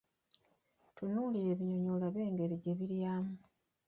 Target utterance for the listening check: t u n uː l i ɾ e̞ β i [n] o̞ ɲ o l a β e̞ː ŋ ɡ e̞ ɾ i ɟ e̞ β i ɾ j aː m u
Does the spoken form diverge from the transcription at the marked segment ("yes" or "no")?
yes